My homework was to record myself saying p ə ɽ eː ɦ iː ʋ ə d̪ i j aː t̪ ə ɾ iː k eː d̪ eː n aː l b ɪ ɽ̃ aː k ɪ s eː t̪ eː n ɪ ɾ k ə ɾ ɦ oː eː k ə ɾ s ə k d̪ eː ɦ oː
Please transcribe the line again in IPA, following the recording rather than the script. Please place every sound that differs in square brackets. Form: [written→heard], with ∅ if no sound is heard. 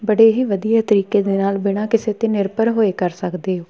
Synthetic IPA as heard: [p→b] ə ɽ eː ɦ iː ʋ ə d̪ i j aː t̪ ə ɾ iː k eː d̪ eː n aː l b ɪ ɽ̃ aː k ɪ s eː t̪ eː n ɪ ɾ [k→p] ə ɾ ɦ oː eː k ə ɾ s ə k d̪ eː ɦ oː